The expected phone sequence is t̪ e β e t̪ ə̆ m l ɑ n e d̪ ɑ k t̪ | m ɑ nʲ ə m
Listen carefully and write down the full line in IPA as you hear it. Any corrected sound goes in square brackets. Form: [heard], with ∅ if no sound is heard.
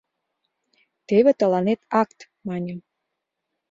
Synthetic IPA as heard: t̪ e β e t̪ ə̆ [∅] l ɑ n e [t̪] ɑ k t̪ | m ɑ nʲ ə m